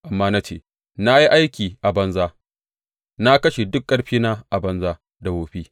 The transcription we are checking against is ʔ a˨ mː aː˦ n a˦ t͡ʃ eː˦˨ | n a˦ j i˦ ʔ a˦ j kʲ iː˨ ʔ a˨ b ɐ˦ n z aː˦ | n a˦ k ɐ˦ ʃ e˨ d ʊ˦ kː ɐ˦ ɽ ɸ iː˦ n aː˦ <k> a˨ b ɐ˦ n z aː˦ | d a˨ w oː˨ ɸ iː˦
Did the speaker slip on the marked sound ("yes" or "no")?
yes